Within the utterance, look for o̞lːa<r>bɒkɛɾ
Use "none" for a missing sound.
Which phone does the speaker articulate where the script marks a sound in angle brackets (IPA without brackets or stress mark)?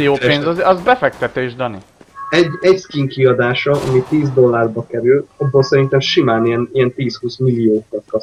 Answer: r